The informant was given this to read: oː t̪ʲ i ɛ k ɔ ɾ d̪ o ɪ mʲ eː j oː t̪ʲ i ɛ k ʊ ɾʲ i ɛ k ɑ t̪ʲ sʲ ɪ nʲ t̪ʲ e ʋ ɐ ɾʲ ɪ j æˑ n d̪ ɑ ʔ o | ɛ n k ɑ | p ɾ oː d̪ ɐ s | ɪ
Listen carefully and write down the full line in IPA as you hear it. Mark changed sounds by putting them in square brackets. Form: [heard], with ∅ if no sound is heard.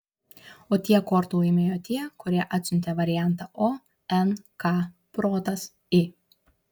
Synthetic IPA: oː t̪ʲ i ɛ k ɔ ɾ [t̪] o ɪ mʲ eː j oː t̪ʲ i ɛ k ʊ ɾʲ i ɛ [ʔ] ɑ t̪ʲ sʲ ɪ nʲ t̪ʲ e ʋ ɐ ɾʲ ɪ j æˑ n [t̪] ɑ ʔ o | ɛ n k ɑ | p ɾ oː [t̪] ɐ s | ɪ